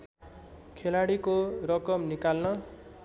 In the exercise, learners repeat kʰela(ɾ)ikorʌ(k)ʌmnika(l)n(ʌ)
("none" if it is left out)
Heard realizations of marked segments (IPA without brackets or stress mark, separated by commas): ɽ, k, l, ʌ